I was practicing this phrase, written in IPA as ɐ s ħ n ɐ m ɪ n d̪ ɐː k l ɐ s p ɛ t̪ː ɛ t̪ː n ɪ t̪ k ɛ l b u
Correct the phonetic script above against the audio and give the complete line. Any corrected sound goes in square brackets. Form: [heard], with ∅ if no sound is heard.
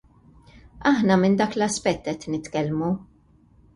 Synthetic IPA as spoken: ɐ [∅] ħ n ɐ m ɪ n d̪ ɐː k l ɐ s p ɛ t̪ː ɛ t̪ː n ɪ t̪ k ɛ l [m] u